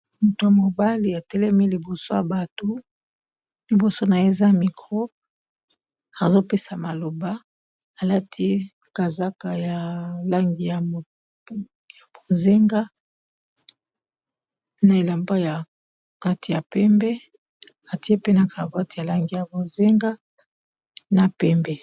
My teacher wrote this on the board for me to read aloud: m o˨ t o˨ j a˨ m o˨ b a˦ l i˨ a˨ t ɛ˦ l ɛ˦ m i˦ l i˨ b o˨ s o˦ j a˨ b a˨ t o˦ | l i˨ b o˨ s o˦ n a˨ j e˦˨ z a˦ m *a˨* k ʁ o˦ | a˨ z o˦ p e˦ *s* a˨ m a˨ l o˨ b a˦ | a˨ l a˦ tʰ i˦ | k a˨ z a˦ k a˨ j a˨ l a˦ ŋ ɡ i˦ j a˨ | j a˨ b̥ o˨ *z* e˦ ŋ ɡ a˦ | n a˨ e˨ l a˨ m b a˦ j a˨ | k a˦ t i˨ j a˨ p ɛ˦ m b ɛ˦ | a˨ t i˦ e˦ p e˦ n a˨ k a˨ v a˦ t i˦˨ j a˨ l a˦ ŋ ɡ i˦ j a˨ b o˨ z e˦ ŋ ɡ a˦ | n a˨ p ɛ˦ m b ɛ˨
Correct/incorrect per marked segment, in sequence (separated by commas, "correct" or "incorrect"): incorrect, correct, correct